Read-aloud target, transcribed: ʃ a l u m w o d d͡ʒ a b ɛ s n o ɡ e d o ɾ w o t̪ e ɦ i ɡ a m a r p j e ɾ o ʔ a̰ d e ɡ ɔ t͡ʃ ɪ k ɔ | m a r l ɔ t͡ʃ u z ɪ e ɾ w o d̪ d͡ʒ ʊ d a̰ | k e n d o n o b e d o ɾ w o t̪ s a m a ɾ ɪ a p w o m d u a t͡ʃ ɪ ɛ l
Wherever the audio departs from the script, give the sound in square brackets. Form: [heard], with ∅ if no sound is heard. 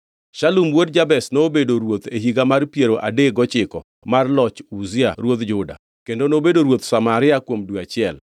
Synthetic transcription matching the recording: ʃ a l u m w o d d͡ʒ a b ɛ s n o [b] e d o ɾ w o t̪ e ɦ i ɡ a m a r p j e ɾ o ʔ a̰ d e ɡ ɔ t͡ʃ ɪ k ɔ | m a r l ɔ t͡ʃ u z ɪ [a] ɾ w o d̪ d͡ʒ ʊ d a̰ | k e n d o n o b e d o ɾ w o t̪ s a m a ɾ ɪ a [k] w o m d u a t͡ʃ ɪ ɛ l